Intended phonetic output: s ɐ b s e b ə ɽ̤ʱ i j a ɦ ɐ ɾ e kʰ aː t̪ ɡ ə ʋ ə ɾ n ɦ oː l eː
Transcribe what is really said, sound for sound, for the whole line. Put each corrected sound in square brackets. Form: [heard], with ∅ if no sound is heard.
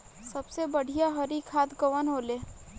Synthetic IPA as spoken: s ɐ b s e b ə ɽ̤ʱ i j a ɦ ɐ ɾ [i] kʰ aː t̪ ɡ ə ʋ ə [∅] n ɦ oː l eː